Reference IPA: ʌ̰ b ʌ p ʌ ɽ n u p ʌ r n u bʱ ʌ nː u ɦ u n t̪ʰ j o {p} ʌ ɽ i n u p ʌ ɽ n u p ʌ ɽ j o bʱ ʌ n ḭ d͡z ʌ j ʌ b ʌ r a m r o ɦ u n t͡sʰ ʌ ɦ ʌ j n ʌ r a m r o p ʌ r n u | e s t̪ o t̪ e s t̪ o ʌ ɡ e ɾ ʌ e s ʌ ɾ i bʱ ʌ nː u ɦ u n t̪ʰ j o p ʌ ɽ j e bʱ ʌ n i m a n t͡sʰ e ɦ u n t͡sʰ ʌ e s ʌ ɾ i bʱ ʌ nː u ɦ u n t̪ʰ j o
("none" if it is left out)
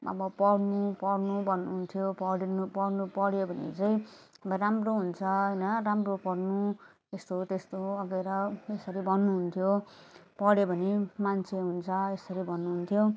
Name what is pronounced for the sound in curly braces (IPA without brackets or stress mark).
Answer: p